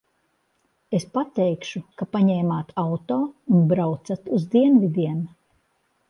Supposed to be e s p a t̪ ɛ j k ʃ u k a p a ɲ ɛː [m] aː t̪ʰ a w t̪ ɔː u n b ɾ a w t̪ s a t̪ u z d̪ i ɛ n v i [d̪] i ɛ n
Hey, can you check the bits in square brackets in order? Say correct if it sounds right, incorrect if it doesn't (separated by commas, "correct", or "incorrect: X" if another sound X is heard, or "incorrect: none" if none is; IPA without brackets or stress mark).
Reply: correct, correct